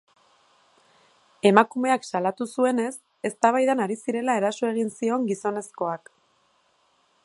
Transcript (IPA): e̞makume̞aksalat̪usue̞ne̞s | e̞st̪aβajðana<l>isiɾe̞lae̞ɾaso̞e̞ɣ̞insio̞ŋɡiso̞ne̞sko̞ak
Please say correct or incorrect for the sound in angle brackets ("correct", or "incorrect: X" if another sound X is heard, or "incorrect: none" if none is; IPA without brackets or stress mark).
incorrect: ɾ